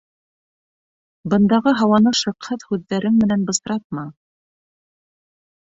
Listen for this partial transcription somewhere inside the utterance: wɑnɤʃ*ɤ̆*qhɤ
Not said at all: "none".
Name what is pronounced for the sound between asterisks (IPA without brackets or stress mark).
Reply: ɤ̆